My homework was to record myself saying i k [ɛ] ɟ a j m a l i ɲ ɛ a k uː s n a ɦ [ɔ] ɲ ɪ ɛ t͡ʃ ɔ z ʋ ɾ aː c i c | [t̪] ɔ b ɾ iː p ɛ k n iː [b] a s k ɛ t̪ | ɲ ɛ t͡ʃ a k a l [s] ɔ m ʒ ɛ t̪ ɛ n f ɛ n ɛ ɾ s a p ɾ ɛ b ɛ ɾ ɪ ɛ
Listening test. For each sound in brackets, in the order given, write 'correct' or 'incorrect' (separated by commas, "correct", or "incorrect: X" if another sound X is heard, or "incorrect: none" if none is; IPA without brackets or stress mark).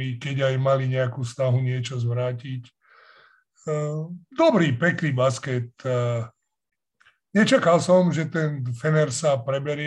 correct, incorrect: u, incorrect: d̪, correct, correct